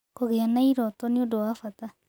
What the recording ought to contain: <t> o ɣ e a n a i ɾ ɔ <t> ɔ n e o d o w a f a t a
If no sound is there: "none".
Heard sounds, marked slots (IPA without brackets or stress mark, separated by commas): k, t